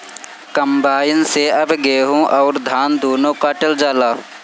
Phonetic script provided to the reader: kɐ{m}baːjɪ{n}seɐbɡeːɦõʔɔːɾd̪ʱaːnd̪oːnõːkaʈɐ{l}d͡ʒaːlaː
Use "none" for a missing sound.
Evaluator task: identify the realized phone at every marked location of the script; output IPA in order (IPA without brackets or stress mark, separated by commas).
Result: m, n, l